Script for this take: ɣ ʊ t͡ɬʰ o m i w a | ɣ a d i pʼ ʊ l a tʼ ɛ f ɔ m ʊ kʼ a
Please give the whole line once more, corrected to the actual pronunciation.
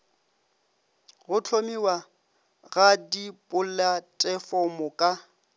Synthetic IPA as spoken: ɣ ʊ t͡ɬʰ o m i w a | ɣ a d i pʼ ʊ l a tʼ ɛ f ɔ m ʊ kʼ a